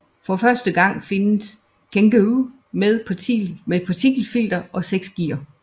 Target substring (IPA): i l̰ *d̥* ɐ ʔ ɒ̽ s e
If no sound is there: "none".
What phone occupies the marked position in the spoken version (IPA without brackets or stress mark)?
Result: d̥